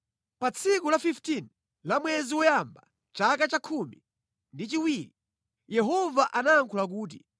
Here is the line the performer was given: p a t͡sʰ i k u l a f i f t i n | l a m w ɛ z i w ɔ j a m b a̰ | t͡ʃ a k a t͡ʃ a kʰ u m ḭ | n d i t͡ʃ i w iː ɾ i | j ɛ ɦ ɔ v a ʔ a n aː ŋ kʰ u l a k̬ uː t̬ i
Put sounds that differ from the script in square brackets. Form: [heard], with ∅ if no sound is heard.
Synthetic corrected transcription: p a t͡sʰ i k u l a f i f t i n | l a m w ɛ z i w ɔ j a m b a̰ | t͡ʃ a k a t͡ʃ a kʰ u m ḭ | n d i t͡ʃ i w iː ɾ i | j ɛ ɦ ɔ v a ʔ a n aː ŋ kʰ u l a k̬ uː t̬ i